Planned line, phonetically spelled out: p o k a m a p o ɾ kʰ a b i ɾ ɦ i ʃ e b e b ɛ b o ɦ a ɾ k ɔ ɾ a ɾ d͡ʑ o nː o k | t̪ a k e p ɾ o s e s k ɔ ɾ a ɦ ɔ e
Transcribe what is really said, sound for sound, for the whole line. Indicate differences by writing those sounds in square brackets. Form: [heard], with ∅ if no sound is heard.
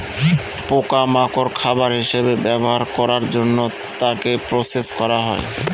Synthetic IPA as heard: p o k a m a [k] o ɾ kʰ a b [a] ɾ ɦ i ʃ e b e b ɛ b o ɦ a ɾ k ɔ ɾ a ɾ d͡ʑ o nː o [∅] | t̪ a k e p ɾ o s e s k ɔ ɾ a ɦ ɔ e